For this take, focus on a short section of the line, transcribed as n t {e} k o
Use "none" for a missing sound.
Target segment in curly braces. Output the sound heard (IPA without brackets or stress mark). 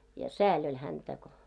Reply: æ